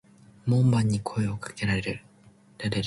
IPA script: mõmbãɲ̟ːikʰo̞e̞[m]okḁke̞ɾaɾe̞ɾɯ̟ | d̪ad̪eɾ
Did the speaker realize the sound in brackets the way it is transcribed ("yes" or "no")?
no